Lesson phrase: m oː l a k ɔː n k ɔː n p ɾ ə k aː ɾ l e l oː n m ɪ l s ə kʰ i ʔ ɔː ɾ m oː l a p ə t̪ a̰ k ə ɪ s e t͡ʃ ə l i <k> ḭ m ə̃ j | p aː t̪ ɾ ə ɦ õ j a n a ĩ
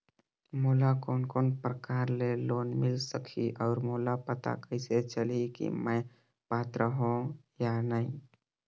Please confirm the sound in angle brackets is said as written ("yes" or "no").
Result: yes